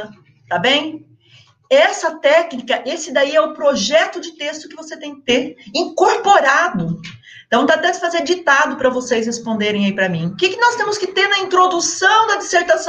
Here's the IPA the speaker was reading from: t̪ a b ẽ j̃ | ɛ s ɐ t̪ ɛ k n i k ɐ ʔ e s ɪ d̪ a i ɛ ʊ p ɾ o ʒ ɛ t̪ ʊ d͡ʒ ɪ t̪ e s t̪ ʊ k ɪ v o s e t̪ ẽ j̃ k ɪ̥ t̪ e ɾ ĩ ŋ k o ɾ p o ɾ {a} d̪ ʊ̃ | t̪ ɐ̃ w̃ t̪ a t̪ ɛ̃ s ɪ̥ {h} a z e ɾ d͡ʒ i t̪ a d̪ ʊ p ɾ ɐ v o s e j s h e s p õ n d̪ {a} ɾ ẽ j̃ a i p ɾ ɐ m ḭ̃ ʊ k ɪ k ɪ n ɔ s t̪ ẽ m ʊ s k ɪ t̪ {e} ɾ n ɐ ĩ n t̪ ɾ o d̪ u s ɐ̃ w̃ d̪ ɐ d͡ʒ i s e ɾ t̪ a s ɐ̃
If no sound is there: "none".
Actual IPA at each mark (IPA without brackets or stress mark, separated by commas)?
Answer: a, f, e, e